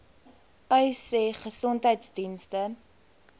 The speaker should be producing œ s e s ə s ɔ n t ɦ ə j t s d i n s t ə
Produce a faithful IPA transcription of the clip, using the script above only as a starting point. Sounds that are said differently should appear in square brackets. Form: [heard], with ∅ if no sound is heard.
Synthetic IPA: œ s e [χ] ə s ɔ n t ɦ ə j t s d i n s t ə